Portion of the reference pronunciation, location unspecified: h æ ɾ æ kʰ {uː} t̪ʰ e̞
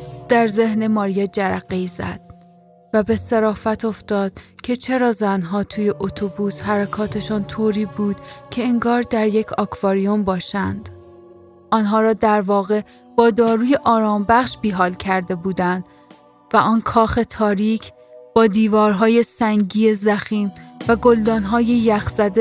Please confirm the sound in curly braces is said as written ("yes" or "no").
no